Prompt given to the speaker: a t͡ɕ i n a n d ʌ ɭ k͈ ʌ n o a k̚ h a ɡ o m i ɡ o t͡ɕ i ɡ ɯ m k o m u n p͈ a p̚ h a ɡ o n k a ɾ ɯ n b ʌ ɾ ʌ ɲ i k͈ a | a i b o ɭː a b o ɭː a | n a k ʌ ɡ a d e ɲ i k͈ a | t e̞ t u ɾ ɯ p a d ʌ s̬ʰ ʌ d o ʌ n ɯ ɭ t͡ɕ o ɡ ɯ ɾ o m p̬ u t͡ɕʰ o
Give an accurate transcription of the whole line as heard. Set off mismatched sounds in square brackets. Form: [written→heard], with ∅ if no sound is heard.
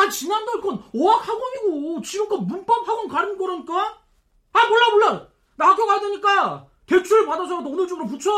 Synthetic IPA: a t͡ɕ i n a n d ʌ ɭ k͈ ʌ n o a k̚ h a ɡ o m i ɡ o t͡ɕ i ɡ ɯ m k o m u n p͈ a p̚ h a ɡ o n k a ɾ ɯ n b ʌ ɾ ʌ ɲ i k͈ a | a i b o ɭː a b o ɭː a | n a k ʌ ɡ a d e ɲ i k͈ a | t e̞ [t→t͡ɕʰ] u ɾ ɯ p a d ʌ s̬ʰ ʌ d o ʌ n ɯ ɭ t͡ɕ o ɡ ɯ ɾ o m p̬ u t͡ɕʰ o